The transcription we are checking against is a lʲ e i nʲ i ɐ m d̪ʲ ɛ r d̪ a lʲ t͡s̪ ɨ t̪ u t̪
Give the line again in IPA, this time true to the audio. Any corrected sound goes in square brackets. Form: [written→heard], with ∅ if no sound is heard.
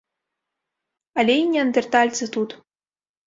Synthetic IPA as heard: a lʲ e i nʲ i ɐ [m→n] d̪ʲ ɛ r [d̪→t̪] a lʲ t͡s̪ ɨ t̪ u t̪